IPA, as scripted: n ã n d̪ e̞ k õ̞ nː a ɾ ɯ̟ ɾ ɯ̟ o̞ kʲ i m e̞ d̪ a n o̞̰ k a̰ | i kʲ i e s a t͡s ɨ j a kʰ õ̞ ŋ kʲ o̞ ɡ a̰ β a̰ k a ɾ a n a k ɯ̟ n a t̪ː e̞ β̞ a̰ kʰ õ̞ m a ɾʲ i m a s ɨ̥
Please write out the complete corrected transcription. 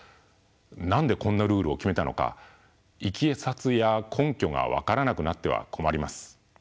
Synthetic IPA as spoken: n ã n d̪ e̞ k õ̞ nː a ɾ ɯ̟ː ɾ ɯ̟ o̞ kʲ i m e̞ t̪ a n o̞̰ k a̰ | i kʲ i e s a t͡s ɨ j a kʰ õ̞ ŋ kʲ o̞ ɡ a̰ β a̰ k a ɾ a n a k ɯ̟ n a t̪ː e̞ β̞ a̰ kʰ o̞ m a ɾʲ i m a s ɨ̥